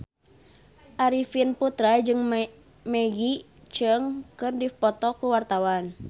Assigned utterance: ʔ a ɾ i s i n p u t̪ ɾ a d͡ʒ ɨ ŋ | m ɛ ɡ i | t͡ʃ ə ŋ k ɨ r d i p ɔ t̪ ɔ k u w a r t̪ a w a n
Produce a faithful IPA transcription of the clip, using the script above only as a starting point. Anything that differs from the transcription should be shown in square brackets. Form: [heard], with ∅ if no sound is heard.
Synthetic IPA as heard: ʔ a ɾ i [f] i n p u t̪ ɾ a d͡ʒ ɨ ŋ | m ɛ ɡ i | t͡ʃ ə ŋ k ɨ r d i p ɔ t̪ ɔ k u w a r t̪ a w a n